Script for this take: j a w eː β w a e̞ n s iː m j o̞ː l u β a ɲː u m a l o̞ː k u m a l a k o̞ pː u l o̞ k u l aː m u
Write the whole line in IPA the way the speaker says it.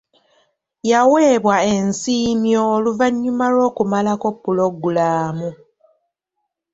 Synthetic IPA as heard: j a w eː β w a e̞ n s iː m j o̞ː l u v a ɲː u m a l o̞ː k u m a l a k o̞ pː u l o̞ ɡ u l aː m u